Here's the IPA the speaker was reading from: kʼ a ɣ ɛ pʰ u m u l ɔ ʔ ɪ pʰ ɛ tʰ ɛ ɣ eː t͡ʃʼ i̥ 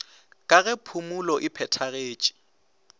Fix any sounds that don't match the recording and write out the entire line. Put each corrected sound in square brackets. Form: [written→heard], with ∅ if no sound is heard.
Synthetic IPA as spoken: kʼ a ɣ ɛ pʰ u m u l ɔ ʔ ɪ pʰ ɛ tʰ [ɛ→a] ɣ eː t͡ʃʼ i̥